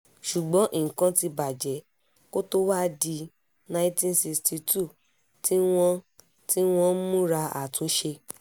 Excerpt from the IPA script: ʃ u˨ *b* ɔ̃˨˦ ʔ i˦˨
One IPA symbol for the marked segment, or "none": ɡ͡b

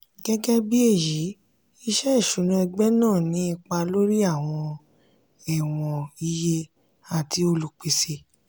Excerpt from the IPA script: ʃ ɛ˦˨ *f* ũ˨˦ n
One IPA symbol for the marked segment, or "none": ʃ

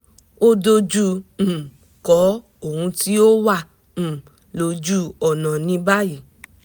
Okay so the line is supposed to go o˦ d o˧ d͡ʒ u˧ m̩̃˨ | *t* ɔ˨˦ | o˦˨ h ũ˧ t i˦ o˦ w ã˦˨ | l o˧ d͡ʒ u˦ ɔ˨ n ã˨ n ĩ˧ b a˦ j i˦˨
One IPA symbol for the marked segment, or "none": k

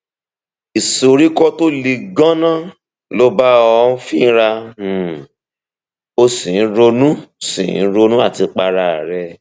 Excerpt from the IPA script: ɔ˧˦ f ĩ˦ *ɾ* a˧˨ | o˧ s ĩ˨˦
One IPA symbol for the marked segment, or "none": ɾ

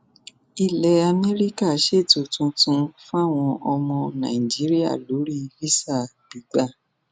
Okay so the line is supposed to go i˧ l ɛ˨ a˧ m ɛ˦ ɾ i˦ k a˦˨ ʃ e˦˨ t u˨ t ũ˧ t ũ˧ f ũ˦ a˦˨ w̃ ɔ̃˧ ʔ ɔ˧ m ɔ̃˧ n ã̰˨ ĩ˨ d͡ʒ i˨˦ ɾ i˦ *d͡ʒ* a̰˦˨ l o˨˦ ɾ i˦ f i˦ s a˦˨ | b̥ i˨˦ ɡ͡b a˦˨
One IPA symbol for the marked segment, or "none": none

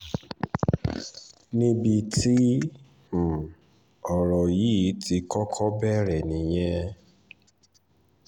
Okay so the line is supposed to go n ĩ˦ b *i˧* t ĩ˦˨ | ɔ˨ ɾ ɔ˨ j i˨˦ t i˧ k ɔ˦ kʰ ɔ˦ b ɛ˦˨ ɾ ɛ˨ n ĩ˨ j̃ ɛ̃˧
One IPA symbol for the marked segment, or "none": i˧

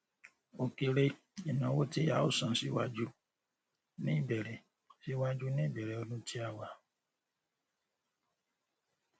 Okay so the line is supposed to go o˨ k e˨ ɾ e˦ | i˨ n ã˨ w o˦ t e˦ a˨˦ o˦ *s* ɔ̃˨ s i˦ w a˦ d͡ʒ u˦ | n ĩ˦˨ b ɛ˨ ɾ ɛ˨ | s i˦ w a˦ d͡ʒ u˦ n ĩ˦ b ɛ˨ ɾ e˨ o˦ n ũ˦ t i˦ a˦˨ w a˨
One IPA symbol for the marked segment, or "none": s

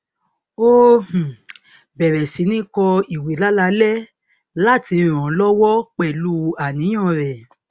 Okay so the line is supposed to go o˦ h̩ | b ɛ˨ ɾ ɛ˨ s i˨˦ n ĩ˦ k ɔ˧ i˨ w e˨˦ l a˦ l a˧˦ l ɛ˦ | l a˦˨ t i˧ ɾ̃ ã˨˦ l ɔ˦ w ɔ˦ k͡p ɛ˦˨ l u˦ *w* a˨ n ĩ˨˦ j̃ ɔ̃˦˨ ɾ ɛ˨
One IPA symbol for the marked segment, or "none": none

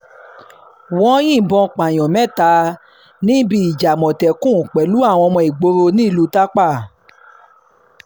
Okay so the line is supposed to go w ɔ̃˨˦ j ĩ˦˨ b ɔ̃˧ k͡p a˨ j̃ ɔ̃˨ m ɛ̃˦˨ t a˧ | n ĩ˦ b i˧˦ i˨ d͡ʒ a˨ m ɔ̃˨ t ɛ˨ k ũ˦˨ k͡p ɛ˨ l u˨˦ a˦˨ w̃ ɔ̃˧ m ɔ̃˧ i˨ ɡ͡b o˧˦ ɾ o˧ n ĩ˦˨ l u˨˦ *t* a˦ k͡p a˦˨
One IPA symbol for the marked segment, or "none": t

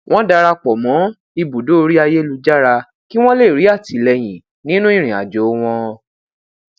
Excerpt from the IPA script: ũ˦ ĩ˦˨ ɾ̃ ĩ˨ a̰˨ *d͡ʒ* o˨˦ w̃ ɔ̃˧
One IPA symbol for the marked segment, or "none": d͡ʒ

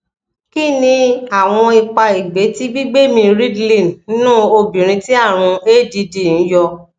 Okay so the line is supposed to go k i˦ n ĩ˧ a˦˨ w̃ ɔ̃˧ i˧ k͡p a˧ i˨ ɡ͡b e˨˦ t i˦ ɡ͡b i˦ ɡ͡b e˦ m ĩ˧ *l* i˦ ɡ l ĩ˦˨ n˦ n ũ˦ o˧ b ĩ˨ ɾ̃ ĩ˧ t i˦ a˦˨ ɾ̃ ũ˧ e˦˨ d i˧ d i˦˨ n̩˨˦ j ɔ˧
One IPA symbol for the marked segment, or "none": ɾ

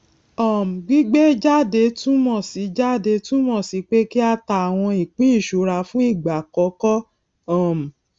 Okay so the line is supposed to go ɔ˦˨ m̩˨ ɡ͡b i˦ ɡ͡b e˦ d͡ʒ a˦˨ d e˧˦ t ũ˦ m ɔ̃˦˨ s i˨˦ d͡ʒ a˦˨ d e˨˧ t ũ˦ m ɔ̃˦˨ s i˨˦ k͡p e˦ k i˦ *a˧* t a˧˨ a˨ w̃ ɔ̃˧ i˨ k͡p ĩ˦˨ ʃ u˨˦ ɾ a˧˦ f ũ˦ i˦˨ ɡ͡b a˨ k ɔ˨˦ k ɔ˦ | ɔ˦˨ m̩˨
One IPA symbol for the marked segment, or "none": a˧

